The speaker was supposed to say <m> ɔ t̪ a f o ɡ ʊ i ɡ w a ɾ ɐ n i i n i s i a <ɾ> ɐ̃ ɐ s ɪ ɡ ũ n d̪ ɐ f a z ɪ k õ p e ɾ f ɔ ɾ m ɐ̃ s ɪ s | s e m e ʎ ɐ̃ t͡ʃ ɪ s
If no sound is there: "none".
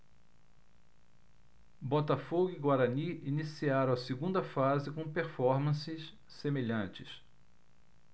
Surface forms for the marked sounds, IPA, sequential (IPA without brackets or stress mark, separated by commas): b, ɾ